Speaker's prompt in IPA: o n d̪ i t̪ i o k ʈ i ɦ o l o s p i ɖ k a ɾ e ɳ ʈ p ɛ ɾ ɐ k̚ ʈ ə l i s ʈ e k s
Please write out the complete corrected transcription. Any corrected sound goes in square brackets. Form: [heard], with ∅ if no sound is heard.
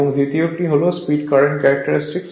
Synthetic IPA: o [ŋ] d̪ i t̪ i o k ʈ i ɦ o l o s p i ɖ k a ɾ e ɳ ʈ [k] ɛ ɾ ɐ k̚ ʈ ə [ɾ] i s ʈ [i] k s

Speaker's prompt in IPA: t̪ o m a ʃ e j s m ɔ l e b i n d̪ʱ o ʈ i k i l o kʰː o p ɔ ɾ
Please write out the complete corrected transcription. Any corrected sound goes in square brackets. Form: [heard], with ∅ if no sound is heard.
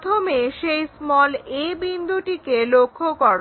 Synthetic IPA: [t̪ʰ] o m [e] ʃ e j s m ɔ l e b i n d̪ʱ [u] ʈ i k [e] l o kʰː o [k] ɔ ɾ

